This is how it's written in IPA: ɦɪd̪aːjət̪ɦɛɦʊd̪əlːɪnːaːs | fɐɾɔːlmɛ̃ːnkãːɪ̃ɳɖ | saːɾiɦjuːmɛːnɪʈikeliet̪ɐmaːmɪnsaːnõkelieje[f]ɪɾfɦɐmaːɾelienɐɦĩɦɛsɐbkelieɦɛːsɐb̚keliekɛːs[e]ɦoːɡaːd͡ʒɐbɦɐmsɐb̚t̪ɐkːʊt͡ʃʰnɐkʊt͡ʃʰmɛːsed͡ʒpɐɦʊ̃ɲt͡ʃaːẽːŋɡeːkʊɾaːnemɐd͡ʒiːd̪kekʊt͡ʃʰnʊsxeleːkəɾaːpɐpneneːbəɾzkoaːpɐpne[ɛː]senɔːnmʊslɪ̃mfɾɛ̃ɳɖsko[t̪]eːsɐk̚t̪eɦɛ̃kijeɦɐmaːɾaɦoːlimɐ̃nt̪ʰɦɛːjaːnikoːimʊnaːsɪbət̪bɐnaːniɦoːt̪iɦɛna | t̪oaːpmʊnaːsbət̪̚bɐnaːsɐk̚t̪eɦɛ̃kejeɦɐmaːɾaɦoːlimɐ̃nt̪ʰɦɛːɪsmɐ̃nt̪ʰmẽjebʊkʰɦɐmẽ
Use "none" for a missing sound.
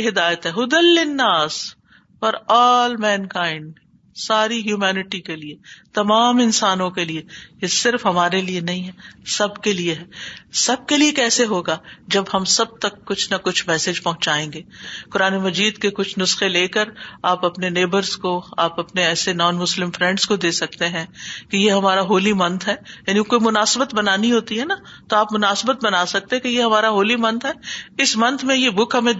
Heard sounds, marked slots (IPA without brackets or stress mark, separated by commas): s, e, ɛː, d̪